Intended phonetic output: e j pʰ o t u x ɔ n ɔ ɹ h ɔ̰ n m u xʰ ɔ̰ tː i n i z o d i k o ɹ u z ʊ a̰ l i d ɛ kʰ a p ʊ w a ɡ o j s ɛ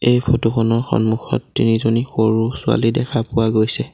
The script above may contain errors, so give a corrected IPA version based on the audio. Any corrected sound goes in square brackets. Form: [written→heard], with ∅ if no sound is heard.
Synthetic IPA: e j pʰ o t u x ɔ n ɔ ɹ [h→x] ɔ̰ n m u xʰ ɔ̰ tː i n i z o [d→n] i [k→x] o ɹ u [z→s] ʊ a̰ l i d ɛ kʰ a p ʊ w a ɡ o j s ɛ